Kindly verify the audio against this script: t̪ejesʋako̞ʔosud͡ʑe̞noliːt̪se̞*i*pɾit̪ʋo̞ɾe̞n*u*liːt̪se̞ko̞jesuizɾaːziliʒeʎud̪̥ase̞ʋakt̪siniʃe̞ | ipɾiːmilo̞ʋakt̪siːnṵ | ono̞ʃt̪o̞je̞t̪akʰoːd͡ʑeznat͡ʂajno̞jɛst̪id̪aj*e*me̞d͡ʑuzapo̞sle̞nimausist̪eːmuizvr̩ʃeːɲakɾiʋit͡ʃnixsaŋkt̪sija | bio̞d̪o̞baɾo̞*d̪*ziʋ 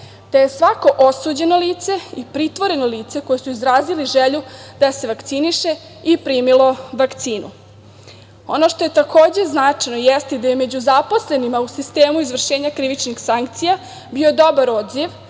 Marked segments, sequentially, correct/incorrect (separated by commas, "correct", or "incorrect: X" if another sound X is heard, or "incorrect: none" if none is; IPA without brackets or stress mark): correct, incorrect: o, correct, correct